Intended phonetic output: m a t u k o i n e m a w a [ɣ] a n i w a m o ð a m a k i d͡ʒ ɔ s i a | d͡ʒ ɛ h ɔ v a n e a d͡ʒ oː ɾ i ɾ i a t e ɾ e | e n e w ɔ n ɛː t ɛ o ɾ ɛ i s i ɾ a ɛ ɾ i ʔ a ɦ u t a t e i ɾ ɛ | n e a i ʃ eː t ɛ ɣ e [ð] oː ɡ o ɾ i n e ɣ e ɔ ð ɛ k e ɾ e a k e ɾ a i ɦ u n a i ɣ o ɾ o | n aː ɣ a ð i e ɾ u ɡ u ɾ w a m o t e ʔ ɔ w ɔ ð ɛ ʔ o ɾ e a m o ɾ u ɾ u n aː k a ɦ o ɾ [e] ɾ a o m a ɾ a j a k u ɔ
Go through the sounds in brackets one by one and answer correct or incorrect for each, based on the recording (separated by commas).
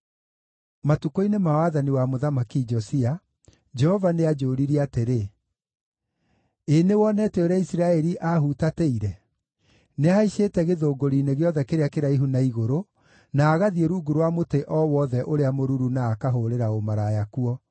incorrect, correct, correct